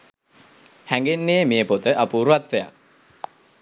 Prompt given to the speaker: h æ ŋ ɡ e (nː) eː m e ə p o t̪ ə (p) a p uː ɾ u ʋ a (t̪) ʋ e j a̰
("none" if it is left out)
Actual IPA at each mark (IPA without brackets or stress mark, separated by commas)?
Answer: nː, ʔ, t̪